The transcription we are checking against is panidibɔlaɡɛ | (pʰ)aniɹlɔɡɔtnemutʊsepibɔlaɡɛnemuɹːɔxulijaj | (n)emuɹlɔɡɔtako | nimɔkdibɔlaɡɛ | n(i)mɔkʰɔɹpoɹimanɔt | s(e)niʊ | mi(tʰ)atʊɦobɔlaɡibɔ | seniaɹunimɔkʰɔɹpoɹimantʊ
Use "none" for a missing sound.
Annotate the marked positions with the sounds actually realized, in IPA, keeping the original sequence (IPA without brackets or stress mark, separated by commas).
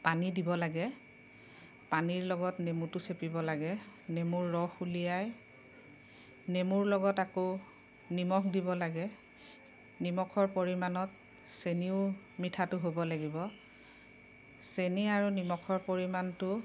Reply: p, n, i, e, tʰ